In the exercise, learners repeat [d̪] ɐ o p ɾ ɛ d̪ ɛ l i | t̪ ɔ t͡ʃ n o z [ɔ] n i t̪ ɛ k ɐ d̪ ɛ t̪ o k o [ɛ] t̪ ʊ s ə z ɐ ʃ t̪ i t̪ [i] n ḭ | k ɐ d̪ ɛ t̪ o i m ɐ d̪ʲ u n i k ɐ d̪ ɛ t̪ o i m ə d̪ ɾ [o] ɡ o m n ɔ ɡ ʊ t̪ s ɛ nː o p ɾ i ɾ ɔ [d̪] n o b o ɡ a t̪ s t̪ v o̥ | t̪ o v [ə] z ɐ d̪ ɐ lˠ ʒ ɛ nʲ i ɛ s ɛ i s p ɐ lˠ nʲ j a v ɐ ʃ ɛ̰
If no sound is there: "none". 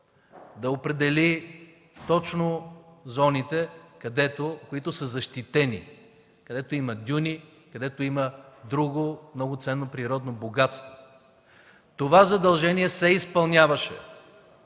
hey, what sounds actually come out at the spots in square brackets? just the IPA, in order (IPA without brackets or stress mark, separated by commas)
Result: d̪, ɔ, i, ɛ, u, d̪, a